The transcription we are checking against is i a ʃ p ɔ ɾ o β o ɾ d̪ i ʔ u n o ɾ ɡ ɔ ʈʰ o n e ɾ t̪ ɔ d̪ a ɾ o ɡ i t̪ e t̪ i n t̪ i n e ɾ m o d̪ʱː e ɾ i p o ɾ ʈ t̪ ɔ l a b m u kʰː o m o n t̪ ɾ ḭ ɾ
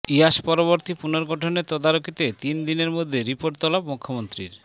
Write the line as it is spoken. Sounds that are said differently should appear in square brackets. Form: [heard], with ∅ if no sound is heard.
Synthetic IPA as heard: i a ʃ p ɔ ɾ o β o ɾ [t̪] i [p] u n o ɾ ɡ ɔ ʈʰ o n e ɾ t̪ ɔ d̪ a ɾ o [k] i t̪ e t̪ i n [d̪] i n e ɾ m o d̪ʱː e ɾ i p o ɾ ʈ t̪ ɔ l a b m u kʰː o m o n t̪ ɾ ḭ ɾ